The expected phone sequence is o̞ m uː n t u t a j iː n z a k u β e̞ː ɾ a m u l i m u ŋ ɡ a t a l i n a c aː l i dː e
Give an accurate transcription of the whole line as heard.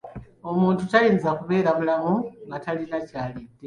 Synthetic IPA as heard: o̞ m uː n t u t a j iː n z a k u β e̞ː ɾ a m u l a m u ŋ ɡ a t a l i n a c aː l i dː e